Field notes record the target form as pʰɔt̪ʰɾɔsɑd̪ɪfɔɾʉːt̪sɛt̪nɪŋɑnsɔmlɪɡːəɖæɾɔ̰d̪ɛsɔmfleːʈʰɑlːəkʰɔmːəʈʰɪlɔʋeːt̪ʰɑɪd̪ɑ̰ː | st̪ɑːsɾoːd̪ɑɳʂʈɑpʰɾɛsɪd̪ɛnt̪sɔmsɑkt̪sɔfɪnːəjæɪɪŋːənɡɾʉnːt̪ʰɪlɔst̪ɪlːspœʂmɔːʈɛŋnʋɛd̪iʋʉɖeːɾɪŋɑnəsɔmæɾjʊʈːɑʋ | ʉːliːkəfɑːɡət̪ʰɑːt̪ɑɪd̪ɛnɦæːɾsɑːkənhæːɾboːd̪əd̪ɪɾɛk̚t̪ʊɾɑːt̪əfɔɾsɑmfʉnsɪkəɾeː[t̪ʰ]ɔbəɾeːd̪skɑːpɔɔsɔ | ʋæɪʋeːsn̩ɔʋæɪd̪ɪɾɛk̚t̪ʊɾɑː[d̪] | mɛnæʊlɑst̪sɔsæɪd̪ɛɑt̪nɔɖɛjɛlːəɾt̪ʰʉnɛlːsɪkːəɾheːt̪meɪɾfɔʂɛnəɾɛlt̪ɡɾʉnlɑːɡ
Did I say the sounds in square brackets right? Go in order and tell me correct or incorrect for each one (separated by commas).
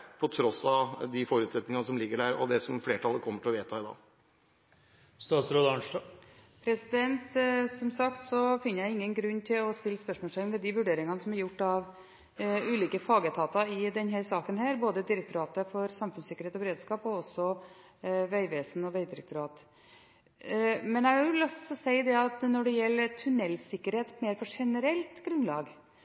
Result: incorrect, incorrect